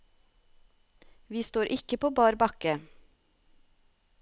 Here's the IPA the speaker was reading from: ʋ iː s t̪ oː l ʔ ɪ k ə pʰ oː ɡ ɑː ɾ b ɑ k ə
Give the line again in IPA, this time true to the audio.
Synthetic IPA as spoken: ʋ iː s t̪ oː ɾ ʔ ɪ k ə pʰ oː b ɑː ɾ b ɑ k ə